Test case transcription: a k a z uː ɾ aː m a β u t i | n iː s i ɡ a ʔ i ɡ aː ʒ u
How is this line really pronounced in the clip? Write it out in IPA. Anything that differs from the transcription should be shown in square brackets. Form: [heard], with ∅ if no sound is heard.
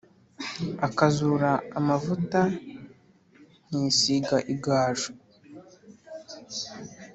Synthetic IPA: a k a z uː ɾ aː m a [v] u t [a] | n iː s i ɡ a ʔ i ɡ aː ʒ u